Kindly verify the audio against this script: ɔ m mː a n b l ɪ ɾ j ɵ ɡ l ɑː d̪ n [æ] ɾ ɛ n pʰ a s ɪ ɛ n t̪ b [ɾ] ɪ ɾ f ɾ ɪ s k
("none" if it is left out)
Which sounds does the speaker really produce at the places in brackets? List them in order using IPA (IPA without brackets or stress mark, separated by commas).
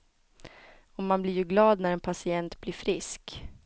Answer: æ, l